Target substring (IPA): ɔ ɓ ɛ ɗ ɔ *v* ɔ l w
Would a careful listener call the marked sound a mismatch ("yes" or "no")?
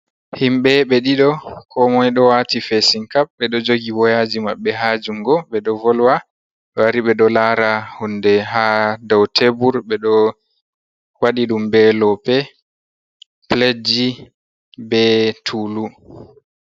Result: no